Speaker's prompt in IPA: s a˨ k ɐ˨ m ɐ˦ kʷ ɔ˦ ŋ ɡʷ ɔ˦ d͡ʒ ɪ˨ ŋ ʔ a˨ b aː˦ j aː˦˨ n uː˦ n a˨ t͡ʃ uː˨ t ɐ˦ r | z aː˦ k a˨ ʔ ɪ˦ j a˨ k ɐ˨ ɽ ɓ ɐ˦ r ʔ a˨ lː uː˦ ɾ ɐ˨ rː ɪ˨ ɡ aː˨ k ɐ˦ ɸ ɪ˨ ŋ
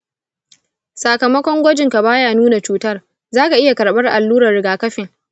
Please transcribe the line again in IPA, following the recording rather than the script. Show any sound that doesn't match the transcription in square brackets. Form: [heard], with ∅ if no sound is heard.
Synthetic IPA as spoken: s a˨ k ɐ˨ m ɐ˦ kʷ ɔ˦ ŋ ɡʷ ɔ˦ d͡ʒ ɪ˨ ŋ [k] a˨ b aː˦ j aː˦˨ n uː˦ n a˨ t͡ʃ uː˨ t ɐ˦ r | z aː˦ k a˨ ʔ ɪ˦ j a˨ k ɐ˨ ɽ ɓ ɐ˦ r ʔ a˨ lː uː˦ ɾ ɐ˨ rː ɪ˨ ɡ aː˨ k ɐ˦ ɸ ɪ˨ ŋ